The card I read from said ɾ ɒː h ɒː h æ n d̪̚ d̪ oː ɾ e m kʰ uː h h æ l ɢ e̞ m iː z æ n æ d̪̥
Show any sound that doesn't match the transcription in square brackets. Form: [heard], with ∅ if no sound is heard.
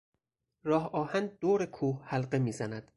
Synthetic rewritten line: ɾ ɒː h ɒː h æ n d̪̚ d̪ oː ɾ e [∅] kʰ uː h h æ l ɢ e̞ m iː z æ n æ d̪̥